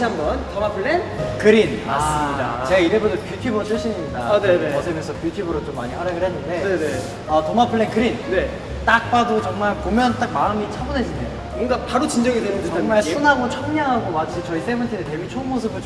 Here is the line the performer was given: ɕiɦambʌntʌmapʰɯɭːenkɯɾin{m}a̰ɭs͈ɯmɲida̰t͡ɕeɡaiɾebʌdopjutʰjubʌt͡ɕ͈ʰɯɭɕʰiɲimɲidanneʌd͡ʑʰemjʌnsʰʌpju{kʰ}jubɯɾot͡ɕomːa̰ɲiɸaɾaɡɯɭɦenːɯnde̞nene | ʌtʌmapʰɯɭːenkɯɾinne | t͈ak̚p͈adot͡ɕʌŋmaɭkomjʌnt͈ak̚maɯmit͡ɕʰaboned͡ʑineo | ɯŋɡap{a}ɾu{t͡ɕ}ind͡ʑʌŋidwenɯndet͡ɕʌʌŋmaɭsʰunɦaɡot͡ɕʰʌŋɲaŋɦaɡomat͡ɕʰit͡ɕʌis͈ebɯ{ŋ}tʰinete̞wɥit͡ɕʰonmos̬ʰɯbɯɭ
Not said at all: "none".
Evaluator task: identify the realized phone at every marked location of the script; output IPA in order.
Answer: m, tʰ, a, t͡ɕ, n

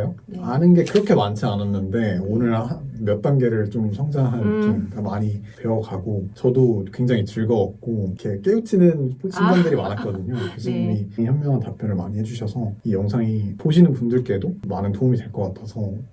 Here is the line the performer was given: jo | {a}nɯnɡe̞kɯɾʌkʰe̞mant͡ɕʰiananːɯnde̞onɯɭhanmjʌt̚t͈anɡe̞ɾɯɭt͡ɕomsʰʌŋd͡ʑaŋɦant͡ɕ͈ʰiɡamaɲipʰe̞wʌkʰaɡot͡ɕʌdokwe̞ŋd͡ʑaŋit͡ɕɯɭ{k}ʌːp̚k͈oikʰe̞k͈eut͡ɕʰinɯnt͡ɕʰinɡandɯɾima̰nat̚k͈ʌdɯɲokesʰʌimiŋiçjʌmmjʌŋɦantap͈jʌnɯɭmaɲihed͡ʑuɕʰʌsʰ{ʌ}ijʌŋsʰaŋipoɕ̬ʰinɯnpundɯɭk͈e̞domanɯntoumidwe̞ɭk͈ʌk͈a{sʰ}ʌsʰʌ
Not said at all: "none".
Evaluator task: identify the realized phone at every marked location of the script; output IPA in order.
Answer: a, ɡ, ʌ, tʰ

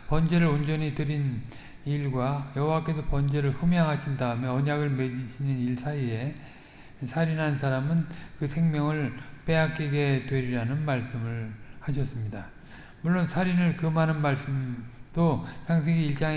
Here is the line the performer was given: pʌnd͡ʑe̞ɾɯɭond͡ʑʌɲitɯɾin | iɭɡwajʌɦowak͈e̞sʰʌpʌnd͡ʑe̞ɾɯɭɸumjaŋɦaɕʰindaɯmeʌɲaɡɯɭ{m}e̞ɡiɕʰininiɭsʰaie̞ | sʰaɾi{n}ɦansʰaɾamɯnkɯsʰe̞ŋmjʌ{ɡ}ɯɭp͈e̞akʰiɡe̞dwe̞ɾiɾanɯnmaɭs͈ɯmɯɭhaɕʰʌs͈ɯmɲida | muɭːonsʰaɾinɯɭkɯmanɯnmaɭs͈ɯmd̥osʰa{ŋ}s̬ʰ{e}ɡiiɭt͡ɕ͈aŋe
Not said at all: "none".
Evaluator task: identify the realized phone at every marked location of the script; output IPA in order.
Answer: m, n, ŋ, ŋ, e

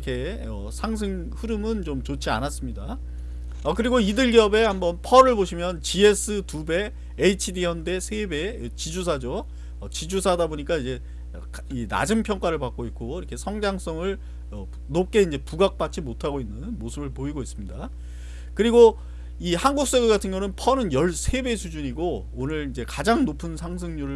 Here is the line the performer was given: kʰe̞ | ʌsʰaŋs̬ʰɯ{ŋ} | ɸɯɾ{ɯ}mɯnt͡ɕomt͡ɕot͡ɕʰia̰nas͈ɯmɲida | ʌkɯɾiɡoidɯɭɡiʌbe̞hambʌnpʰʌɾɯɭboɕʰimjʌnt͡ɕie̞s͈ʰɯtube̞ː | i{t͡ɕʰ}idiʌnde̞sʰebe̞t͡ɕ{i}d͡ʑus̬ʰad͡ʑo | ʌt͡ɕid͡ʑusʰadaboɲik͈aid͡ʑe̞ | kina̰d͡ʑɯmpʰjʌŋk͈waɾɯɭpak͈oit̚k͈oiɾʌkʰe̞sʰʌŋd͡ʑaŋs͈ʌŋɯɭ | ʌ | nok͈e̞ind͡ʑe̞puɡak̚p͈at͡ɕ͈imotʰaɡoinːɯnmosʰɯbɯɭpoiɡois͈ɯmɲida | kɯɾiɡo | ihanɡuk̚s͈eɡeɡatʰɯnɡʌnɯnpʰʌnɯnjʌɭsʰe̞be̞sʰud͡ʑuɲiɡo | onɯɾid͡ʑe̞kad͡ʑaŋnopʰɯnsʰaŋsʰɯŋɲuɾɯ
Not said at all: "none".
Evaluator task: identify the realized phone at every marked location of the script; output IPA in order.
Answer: ŋ, ɯ, t͡ɕʰ, i

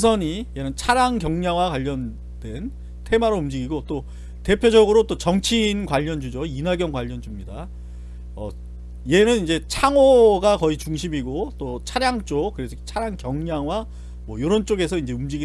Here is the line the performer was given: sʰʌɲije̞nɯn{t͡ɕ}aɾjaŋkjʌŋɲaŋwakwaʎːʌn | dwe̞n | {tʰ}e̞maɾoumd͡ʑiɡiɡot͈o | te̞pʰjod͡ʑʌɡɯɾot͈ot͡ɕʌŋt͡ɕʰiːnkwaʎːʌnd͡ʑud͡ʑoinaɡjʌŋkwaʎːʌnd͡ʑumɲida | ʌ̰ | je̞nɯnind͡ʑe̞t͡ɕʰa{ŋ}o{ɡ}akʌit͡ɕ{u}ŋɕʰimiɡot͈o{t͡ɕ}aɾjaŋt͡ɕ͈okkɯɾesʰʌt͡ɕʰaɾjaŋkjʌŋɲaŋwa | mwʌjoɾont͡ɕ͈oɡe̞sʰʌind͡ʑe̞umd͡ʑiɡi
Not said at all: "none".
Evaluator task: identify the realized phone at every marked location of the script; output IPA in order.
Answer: t͡ɕʰ, tʰ, ŋ, ɡ, u, t͡ɕʰ

